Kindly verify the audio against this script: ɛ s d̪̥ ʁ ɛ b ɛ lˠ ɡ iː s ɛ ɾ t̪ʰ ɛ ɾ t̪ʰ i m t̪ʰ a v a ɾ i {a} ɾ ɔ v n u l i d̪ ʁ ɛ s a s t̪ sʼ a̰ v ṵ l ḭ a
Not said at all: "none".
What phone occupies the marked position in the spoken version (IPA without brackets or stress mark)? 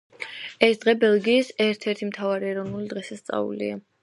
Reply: ɛ